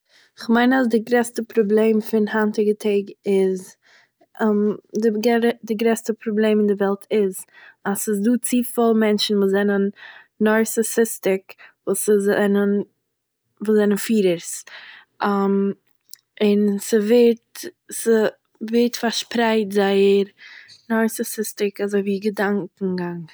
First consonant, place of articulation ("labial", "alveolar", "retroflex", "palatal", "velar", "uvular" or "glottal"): uvular